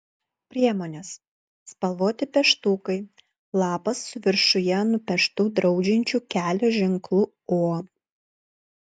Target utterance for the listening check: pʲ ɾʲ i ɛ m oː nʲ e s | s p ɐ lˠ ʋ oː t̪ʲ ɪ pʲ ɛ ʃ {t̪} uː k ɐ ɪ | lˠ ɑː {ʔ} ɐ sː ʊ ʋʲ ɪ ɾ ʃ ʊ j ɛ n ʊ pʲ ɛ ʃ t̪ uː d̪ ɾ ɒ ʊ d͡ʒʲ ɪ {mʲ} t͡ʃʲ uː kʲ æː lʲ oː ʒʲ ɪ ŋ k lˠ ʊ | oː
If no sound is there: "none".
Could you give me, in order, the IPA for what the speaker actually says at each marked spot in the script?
t̪, p, nʲ

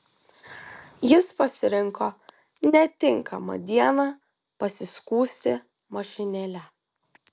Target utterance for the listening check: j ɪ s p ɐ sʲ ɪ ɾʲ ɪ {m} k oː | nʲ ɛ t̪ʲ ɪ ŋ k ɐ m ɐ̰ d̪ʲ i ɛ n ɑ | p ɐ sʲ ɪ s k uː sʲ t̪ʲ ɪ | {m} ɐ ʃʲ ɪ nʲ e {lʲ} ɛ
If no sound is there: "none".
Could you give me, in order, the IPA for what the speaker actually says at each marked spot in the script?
ŋ, m, lʲ

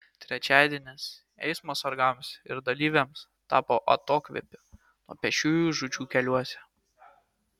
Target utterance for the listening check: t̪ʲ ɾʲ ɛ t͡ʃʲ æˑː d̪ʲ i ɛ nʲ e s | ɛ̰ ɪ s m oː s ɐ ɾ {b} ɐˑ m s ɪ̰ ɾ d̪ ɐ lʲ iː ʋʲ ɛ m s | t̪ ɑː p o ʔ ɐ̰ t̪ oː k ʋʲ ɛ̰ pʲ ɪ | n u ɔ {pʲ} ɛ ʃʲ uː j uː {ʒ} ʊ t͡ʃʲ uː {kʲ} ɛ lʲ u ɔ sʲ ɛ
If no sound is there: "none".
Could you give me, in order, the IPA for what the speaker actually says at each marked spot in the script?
ɡ, pʲ, ʒ, kʲ

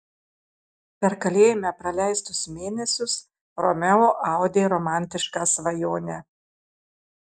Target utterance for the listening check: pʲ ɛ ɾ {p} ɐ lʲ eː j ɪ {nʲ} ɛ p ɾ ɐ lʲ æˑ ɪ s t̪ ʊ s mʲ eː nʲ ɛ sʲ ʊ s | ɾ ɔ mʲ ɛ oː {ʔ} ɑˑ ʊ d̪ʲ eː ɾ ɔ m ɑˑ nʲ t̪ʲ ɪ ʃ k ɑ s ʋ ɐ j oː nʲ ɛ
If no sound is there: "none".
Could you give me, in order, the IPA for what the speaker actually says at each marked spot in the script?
k, mʲ, ʔ

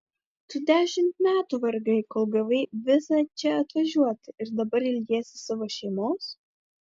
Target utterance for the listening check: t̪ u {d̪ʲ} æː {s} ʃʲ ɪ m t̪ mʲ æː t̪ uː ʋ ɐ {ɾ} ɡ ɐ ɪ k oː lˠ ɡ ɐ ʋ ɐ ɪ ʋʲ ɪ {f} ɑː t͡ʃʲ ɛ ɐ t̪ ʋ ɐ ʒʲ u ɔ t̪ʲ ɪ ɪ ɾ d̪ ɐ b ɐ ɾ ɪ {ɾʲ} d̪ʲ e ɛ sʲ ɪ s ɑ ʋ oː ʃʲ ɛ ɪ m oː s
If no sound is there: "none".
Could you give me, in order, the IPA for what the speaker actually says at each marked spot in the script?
d̪ʲ, none, ɾ, s, lʲ

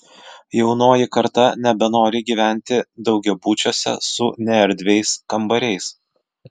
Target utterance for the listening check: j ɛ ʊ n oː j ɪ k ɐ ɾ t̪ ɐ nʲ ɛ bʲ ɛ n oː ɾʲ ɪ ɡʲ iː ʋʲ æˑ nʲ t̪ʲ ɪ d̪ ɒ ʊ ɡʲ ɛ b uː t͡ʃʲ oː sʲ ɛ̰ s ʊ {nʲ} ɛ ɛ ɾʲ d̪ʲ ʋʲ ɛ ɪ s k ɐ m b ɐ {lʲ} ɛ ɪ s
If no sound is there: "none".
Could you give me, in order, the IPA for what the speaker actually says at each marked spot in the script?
nʲ, ɾʲ

